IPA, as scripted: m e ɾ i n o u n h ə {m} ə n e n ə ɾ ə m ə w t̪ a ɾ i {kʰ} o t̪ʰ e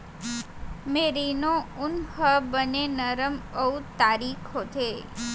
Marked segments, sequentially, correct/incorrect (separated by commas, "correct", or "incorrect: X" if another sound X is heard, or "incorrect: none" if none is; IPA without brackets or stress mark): incorrect: b, correct